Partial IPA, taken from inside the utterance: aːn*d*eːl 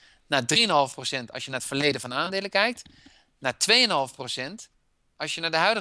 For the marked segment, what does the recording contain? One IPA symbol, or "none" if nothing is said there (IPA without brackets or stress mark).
d